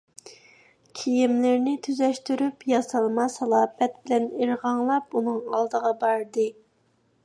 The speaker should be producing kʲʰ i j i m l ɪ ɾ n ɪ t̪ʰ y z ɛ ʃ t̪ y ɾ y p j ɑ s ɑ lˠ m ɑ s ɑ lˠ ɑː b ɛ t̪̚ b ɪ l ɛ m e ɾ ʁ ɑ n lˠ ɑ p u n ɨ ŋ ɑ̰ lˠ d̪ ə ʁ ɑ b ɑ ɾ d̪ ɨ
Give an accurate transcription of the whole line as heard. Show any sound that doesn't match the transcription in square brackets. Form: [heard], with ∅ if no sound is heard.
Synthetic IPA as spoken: kʲʰ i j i m l ɪ ɾ n ɪ t̪ʰ y z ɛ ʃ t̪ y ɾ y p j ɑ s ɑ lˠ m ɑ s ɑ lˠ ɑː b ɛ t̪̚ b ɪ l ɛ [n] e ɾ ʁ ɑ [ŋ] lˠ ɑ p u n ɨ ŋ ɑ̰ lˠ d̪ ə ʁ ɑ b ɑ ɾ d̪ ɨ

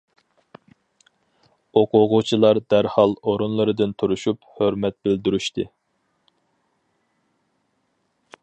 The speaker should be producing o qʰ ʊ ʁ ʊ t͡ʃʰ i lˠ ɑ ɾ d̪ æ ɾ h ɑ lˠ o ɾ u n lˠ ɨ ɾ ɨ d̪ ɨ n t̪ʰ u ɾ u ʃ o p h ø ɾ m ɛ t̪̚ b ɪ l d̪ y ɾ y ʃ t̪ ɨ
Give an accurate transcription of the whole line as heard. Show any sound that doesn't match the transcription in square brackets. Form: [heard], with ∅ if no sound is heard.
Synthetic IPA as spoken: o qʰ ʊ ʁ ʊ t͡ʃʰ i lˠ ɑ ɾ d̪ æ ɾ h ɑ lˠ o ɾ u n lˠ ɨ ɾ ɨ d̪ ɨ n t̪ʰ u ɾ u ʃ [u] p h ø ɾ m ɛ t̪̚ b ɪ l d̪ y ɾ y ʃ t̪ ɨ

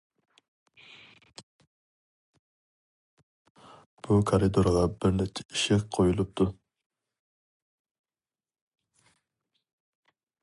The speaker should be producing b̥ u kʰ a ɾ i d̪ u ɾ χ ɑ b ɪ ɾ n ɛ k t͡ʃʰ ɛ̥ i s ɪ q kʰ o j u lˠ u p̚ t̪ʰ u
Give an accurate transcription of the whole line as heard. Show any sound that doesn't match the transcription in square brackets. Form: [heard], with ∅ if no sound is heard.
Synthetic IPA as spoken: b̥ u kʰ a ɾ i d̪ [o] ɾ [ʁ] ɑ b ɪ ɾ n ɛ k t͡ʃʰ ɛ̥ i [ʃ] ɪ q [qʰ] o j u lˠ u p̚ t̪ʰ u

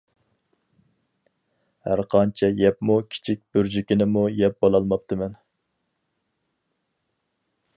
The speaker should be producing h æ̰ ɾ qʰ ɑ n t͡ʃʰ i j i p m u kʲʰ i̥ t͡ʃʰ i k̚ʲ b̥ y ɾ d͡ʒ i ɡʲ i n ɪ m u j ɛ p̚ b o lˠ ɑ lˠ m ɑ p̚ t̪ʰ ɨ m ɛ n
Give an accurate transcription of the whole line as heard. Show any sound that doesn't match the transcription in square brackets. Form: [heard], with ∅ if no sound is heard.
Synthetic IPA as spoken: h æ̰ ɾ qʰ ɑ n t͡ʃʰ [ɛ] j [ɛ] p m u kʲʰ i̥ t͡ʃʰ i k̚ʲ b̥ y ɾ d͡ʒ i [kʲ] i n ɪ m u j ɛ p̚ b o lˠ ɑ lˠ m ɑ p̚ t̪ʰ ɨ m ɛ n

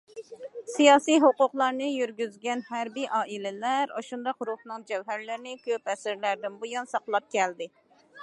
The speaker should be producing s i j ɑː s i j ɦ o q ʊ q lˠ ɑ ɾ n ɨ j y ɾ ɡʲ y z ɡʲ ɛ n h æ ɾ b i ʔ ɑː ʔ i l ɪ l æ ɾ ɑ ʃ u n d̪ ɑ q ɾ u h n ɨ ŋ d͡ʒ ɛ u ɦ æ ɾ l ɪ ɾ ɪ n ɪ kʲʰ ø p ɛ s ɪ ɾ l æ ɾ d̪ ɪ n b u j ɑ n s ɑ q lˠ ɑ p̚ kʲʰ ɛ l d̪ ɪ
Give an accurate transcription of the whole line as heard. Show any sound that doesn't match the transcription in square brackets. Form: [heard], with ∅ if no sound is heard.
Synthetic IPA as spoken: s i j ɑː s i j ɦ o q ʊ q lˠ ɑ ɾ n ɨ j y ɾ ɡʲ y z ɡʲ ɛ n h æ ɾ b i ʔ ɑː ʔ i l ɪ l æ ɾ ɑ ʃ u n d̪ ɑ q ɾ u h n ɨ ŋ d͡ʒ ɛ [w] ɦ æ ɾ l ɪ ɾ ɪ n ɪ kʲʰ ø p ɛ s ɪ ɾ l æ ɾ d̪ ɪ n b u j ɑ n s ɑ q lˠ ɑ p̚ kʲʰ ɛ l d̪ ɪ

